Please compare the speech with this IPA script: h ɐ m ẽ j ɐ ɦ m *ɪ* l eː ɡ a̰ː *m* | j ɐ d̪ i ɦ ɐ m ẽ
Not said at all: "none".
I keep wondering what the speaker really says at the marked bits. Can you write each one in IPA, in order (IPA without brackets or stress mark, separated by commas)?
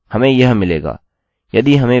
ɪ, none